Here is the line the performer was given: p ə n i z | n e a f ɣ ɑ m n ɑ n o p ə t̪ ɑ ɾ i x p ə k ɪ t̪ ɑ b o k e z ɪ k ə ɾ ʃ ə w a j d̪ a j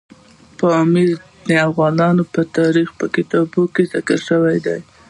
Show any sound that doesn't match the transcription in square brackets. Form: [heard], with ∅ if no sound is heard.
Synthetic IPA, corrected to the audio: p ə [m] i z | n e a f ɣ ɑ [∅] n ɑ n o p ə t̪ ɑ ɾ i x p ə k ɪ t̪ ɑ b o k e z ɪ k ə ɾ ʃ ə w a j d̪ a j